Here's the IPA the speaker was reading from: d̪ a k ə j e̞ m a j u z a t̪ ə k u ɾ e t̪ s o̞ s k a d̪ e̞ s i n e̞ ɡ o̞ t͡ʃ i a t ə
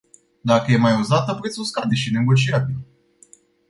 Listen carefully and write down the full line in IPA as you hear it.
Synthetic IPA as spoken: d̪ a k ə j e̞ m a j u z a t̪ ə p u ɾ e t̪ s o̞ s k a d̪ e̞ ʃ i n e̞ ɡ o̞ t͡ʃ i a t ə